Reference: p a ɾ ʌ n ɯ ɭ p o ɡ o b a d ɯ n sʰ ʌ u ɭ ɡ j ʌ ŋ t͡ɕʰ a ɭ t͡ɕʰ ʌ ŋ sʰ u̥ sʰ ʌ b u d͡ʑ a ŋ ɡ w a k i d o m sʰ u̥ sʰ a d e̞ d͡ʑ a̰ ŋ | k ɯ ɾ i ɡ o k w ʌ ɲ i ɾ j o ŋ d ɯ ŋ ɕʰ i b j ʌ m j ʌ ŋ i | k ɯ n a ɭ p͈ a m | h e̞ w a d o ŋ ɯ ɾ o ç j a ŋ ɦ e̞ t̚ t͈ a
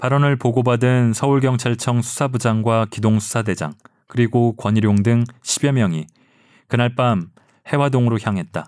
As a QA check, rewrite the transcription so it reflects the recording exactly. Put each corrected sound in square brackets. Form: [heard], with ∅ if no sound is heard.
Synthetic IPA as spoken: p a ɾ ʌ n ɯ ɭ p o ɡ o b a d ɯ n sʰ ʌ u ɭ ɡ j ʌ ŋ t͡ɕʰ a ɭ t͡ɕʰ ʌ ŋ sʰ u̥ sʰ [a] b u d͡ʑ a ŋ ɡ w a k i d o [ŋ] sʰ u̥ sʰ a d e̞ d͡ʑ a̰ ŋ | k ɯ ɾ i ɡ o k w ʌ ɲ i ɾ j o ŋ d ɯ ŋ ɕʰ i b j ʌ m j ʌ ŋ i | k ɯ n a ɭ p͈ a m | h e̞ w a d o ŋ ɯ ɾ o ç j a ŋ ɦ e̞ t̚ t͈ a